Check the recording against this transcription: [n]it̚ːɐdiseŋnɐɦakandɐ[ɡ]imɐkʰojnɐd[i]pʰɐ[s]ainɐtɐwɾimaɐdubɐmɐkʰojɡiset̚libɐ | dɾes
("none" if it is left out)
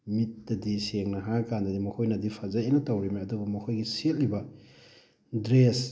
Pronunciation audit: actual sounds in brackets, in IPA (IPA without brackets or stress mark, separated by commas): m, d, i, z